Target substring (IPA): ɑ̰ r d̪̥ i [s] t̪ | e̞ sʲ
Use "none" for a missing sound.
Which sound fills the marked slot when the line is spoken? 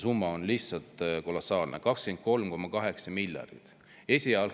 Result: none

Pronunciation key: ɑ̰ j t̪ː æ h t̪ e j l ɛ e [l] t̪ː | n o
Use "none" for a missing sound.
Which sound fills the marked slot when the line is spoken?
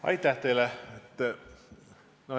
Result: none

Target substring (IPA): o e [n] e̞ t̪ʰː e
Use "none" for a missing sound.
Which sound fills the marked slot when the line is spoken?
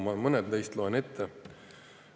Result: n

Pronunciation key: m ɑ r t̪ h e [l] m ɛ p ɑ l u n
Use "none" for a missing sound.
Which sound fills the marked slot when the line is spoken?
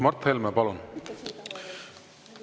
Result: l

